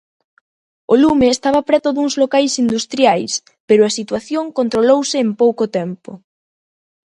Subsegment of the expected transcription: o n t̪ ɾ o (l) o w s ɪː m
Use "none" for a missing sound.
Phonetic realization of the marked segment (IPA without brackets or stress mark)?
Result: l